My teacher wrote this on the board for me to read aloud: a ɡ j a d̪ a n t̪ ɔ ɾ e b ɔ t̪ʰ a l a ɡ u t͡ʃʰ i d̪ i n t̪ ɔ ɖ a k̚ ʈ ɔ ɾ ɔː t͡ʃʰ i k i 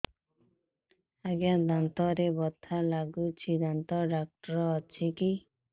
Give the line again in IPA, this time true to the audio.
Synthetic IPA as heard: a ɡ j a d̪ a n t̪ ɔ ɾ e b ɔ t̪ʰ a l a ɡ u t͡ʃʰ i d̪ a n t̪ ɔ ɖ a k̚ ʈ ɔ ɾ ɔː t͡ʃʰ i k i

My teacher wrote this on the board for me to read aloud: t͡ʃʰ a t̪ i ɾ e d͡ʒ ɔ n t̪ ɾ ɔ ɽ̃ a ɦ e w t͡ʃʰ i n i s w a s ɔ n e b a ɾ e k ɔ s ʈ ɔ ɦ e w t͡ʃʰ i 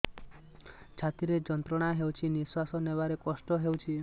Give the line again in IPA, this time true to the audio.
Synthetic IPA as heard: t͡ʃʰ a t̪ i ɾ e d͡ʒ ɔ n t̪ ɾ ɔ ɽ̃ a ɦ e w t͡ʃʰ i n i s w a s ɔ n e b a ɾ e k ɔ s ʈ ɔ ɦ e w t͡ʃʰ i

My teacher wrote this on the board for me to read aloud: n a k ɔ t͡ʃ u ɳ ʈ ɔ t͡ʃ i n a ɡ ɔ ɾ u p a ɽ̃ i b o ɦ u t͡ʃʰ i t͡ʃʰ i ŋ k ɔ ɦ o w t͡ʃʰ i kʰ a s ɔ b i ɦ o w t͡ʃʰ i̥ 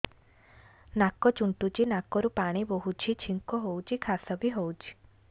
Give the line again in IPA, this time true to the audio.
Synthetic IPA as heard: n a k ɔ t͡ʃ u ɳ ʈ u t͡ʃ i n a k ɔ ɾ u p a ɽ̃ i b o ɦ u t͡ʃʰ i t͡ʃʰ i ŋ k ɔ ɦ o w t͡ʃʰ i kʰ a s ɔ b i ɦ o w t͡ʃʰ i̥

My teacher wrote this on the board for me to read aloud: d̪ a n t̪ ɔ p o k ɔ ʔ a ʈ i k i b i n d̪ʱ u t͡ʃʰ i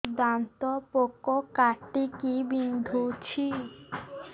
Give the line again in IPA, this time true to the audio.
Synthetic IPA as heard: d̪ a n t̪ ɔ p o k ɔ k a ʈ i k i b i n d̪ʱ u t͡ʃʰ i

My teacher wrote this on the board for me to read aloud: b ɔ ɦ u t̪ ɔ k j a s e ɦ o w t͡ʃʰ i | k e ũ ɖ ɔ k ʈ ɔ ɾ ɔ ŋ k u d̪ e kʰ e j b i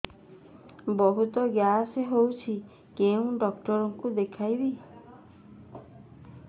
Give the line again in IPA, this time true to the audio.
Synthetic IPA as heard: b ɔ ɦ u t̪ ɔ ɡ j a s e ɦ o w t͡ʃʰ i | k e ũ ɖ ɔ k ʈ ɔ ɾ ɔ ŋ k u d̪ e kʰ a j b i

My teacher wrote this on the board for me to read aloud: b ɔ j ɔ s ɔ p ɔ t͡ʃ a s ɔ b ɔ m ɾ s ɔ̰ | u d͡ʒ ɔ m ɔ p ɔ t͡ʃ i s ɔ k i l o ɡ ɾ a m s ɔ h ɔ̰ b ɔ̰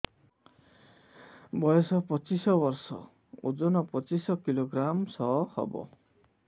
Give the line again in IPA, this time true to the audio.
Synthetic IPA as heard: b ɔ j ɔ s ɔ p ɔ t͡ʃ i s ɔ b ɔ ɾ s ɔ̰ | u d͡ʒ ɔ n ɔ p ɔ t͡ʃ i s ɔ k i l o ɡ ɾ a m s ɔ h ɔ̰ b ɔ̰

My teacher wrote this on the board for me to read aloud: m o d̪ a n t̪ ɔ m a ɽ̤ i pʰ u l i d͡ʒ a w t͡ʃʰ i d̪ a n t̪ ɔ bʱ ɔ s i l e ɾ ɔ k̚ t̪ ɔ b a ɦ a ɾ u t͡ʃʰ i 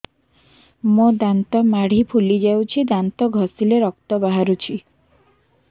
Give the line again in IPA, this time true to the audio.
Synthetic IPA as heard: m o d̪ a n t̪ ɔ m a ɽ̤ i pʰ u l i d͡ʒ a w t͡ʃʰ i d̪ a n t̪ ɔ ɡʱ ɔ s i l e ɾ ɔ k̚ t̪ ɔ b a ɦ a ɾ u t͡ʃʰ i

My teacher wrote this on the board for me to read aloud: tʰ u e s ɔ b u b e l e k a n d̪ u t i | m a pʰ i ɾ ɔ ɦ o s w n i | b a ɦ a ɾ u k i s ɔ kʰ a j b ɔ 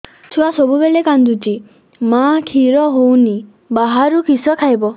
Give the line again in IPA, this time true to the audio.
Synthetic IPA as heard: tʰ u a s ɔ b u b e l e k a n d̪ u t i | m a kʰ i ɾ ɔ ɦ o w n i | b a ɦ a ɾ u k i s ɔ kʰ a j b ɔ

